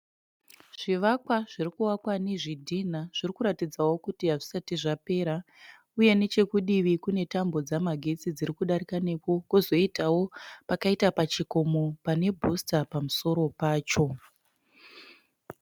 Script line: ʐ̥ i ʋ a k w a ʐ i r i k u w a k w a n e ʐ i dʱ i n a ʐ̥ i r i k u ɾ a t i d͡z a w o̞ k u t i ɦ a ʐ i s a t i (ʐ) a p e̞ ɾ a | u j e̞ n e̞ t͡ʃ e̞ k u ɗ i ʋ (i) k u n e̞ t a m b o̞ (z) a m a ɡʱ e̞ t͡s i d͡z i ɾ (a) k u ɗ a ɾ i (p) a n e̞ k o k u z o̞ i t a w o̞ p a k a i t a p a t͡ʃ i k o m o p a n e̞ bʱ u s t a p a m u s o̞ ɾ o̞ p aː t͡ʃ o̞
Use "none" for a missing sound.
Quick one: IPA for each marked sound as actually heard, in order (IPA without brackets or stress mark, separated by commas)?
ʐ, i, d͡z, i, k